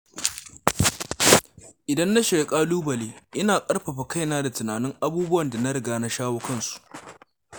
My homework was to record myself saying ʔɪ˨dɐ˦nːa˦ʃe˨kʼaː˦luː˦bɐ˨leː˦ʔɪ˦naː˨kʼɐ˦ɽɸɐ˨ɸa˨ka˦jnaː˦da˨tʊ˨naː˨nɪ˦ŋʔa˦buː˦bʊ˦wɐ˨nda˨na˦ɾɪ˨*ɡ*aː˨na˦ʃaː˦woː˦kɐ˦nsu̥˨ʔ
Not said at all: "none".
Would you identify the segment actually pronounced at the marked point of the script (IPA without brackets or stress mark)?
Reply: ɡ